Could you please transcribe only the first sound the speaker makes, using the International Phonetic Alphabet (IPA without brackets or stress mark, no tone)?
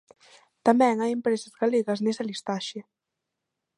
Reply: t̪